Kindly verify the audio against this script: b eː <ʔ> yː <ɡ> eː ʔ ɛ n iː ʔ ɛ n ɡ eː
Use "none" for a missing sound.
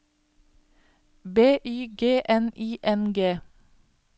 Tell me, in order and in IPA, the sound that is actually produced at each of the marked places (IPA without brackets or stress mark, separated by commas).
ʔ, ɡ